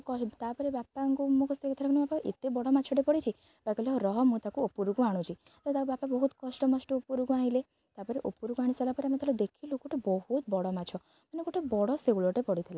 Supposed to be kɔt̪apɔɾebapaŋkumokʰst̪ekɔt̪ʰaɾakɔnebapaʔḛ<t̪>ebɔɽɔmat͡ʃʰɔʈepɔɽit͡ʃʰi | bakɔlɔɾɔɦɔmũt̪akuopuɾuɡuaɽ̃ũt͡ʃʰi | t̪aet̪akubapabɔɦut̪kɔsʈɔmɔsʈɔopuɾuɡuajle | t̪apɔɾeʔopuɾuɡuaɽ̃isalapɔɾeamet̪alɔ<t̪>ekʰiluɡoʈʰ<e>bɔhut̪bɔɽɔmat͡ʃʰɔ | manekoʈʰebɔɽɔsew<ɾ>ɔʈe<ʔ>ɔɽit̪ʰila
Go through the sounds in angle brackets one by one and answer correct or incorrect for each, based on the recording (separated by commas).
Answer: correct, incorrect, correct, incorrect, incorrect